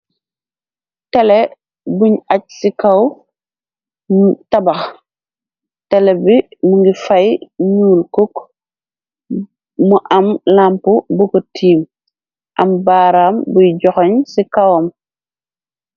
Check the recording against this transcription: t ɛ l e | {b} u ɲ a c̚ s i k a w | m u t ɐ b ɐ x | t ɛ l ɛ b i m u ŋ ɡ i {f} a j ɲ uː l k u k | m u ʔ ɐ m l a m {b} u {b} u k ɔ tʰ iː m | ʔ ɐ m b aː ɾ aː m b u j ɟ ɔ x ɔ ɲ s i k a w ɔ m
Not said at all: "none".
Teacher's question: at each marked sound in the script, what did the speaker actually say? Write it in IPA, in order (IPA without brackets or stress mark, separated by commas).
b, f, p, b